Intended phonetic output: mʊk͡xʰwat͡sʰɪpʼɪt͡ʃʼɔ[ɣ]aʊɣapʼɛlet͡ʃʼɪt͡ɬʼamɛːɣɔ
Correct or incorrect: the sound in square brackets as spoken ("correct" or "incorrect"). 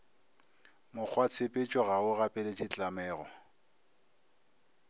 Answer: correct